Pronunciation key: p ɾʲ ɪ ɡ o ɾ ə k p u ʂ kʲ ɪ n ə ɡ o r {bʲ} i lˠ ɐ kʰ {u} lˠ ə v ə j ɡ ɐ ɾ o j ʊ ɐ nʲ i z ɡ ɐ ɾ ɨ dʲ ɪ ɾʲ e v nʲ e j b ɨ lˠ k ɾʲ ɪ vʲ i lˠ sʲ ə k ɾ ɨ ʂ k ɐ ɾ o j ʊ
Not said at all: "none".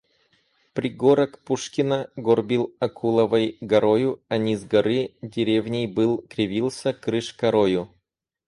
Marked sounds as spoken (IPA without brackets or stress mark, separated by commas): bʲ, u